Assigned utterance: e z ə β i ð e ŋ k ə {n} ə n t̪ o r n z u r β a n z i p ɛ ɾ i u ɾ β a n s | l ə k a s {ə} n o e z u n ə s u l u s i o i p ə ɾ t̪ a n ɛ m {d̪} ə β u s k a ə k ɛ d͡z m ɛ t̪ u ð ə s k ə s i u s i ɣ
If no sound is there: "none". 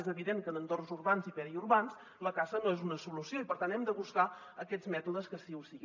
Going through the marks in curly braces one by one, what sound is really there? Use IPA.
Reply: n, ə, d̪

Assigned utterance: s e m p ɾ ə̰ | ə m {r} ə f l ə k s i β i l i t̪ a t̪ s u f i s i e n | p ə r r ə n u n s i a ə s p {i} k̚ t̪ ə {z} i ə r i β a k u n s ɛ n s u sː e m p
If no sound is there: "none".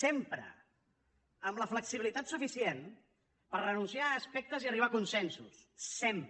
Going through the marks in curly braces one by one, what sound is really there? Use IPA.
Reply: l, ɛ, z

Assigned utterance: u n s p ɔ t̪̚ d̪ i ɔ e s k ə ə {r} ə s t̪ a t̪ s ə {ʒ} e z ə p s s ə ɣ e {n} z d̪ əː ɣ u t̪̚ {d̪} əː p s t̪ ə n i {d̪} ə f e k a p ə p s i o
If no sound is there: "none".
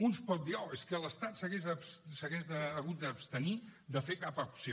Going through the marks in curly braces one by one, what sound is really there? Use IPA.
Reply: l, ɣ, none, d̪, d̪

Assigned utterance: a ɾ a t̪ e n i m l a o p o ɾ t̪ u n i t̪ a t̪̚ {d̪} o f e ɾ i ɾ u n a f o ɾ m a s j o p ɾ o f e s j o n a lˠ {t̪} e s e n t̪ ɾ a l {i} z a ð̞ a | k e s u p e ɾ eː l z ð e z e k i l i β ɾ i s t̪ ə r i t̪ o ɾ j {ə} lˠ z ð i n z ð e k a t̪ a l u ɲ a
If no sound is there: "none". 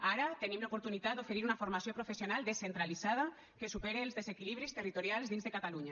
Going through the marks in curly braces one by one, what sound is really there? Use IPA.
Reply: d̪, d̪, i, a

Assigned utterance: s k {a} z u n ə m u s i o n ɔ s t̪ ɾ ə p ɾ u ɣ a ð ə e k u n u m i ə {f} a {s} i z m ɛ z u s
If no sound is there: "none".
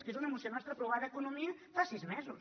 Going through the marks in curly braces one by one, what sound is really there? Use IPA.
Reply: e, f, s

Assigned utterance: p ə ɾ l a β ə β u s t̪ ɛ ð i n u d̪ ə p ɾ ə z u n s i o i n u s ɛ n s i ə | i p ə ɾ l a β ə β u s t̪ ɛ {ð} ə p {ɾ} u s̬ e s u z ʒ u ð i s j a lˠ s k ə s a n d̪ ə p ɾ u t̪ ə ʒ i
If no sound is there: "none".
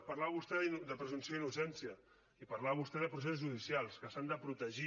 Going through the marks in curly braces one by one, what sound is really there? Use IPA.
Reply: ð, ɾ

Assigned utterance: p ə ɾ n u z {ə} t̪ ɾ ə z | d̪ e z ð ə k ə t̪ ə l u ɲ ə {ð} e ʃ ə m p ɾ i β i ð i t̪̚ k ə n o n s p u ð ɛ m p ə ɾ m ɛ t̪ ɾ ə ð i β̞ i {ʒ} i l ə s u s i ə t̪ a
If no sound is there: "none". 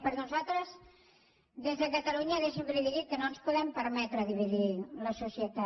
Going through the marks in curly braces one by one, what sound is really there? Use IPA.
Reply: a, ð, ð

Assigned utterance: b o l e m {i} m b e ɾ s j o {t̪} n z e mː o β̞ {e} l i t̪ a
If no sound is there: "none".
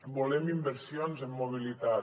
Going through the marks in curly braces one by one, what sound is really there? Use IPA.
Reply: i, none, i

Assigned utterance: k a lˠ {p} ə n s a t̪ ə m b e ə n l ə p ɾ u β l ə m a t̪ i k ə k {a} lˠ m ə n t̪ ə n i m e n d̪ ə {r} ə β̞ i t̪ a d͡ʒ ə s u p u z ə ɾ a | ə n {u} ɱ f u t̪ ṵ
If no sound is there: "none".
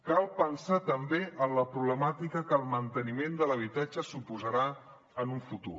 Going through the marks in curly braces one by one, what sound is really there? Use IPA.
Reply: p, ə, l, u

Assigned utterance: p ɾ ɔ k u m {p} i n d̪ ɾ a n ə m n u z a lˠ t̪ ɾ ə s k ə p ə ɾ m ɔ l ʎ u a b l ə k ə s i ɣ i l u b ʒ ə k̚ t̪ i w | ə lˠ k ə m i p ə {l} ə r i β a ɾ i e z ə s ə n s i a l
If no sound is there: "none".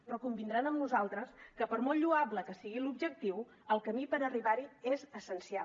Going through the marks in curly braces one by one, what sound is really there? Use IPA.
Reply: b, ɾ

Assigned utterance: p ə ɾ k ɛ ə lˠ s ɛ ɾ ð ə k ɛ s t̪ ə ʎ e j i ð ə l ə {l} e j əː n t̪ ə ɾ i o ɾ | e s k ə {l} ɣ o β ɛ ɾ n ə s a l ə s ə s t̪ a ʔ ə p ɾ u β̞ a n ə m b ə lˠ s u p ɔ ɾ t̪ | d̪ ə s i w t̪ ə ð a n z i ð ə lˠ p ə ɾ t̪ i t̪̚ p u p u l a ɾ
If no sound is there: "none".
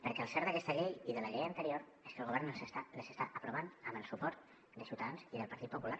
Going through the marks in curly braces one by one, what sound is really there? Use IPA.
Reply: ʎ, l

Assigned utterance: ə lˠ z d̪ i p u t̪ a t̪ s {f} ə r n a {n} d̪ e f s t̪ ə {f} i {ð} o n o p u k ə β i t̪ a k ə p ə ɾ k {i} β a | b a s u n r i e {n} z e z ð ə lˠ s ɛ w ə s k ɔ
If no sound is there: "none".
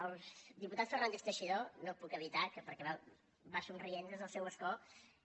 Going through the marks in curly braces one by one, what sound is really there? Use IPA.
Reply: f, n, ʃ, ð, ɛ, n

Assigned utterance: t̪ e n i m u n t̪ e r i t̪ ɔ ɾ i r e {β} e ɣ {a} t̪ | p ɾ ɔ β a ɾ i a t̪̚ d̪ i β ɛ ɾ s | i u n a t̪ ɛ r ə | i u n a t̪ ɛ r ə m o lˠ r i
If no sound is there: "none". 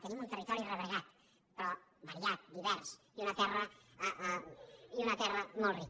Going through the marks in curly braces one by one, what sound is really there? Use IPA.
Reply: β, a

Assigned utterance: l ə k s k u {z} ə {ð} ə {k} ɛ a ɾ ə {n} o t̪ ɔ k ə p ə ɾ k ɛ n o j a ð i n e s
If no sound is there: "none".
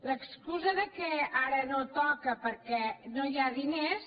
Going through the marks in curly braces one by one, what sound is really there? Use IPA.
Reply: z, ð, k, n

